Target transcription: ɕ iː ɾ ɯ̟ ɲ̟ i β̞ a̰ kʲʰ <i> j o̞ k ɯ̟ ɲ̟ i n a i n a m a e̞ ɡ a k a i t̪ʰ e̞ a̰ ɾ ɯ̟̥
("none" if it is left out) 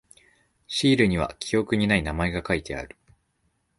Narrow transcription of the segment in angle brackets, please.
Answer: i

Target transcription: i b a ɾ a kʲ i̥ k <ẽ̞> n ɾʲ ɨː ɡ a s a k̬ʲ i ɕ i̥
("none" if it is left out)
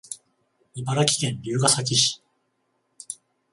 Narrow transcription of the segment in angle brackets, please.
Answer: ẽ̞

